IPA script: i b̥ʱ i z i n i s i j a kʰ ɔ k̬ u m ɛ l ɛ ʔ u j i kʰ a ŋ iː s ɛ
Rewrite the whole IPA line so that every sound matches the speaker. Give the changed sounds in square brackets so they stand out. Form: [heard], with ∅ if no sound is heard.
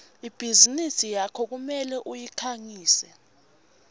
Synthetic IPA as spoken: i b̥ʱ i z i n i s i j a kʰ ɔ k̬ u m ɛ l ɛ ʔ u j i kʰ a ŋ iː s ɛ